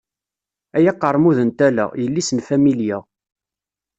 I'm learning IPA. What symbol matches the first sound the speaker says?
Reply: æ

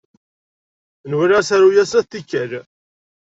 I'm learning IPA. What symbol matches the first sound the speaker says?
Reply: n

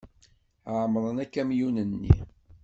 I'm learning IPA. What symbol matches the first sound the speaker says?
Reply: ʕ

